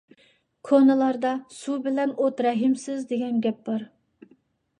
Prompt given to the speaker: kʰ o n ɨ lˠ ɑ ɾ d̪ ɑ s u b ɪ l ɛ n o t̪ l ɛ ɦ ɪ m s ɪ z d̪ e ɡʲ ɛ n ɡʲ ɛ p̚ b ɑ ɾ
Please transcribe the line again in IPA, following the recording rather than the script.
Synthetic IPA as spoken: kʰ o n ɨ lˠ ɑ ɾ d̪ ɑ s u b ɪ l ɛ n o t̪ ɾ ɛ ɦ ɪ m s ɪ z d̪ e ɡʲ ɛ n ɡʲ ɛ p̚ b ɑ ɾ